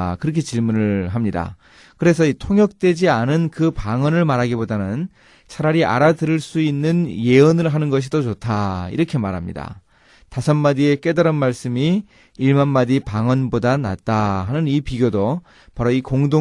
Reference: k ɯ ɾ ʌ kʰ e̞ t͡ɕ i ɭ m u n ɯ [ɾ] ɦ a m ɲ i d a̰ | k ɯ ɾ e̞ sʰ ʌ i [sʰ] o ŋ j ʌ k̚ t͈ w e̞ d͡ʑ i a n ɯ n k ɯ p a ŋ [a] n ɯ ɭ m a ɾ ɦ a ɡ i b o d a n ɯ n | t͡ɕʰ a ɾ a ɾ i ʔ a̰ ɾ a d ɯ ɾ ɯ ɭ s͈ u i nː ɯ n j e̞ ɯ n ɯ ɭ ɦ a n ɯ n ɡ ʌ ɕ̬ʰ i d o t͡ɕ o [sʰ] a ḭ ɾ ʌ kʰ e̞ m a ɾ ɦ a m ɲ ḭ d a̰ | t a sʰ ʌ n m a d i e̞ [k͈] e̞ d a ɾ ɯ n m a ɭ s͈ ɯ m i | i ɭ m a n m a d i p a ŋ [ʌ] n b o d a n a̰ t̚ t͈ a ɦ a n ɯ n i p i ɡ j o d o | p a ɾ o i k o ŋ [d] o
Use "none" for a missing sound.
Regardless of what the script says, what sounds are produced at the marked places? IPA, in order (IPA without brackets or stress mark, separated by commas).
ɭ, tʰ, ʌ, tʰ, k͈, ʌ, d